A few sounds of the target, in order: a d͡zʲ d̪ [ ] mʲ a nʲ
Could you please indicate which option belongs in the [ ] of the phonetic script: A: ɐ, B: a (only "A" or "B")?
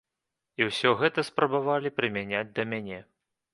A